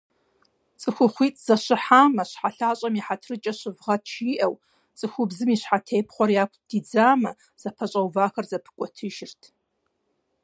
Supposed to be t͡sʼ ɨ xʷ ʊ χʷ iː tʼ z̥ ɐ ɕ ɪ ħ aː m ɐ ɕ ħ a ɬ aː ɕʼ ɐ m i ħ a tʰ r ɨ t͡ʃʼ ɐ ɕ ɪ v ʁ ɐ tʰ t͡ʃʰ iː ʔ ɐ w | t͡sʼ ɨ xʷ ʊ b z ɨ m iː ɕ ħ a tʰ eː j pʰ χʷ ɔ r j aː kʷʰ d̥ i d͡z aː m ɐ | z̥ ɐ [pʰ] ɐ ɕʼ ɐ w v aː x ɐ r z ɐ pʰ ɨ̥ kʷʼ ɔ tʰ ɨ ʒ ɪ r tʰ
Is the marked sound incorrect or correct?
correct